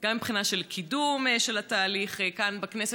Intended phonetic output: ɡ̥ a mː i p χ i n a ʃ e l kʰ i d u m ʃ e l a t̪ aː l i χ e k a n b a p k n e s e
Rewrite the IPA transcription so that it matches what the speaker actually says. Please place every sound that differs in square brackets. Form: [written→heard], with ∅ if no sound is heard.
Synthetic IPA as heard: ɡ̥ a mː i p χ i n a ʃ e l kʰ i d u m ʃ e l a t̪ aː l i χ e k a n b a [p→∅] k n e s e